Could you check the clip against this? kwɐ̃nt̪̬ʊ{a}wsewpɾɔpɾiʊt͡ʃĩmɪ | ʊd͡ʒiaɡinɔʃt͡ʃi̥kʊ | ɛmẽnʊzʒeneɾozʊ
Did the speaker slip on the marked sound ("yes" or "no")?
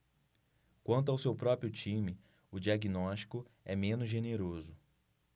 no